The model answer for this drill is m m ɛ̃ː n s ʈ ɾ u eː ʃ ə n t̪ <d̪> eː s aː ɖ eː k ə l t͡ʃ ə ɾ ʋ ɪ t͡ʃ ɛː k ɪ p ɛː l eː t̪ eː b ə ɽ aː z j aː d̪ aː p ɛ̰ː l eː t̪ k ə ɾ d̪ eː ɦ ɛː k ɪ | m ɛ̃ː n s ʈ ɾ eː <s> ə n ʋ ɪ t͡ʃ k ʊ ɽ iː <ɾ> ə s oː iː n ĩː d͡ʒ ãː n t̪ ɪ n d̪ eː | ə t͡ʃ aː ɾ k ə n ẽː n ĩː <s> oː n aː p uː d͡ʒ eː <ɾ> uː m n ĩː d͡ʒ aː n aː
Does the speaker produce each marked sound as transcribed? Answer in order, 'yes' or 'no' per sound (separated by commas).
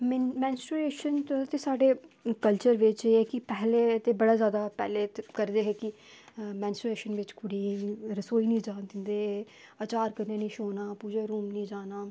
no, no, yes, no, yes